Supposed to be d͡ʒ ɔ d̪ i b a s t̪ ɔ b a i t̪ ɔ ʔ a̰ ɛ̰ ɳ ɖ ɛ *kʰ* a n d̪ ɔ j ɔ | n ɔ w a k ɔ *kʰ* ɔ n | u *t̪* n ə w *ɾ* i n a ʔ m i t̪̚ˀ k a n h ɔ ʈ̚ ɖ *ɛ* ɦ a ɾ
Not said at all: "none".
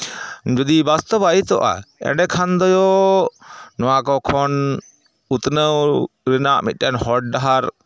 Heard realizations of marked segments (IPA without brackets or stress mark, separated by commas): kʰ, kʰ, t̪, ɾ, a